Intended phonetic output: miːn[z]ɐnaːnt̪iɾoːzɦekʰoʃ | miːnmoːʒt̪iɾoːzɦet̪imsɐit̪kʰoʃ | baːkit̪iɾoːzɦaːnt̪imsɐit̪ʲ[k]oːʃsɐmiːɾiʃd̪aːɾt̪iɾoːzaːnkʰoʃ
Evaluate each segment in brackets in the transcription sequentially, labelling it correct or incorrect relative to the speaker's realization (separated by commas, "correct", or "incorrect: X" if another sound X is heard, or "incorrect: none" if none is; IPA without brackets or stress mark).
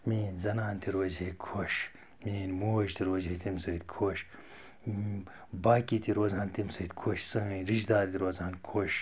correct, incorrect: kʰ